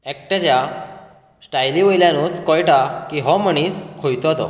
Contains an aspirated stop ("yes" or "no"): yes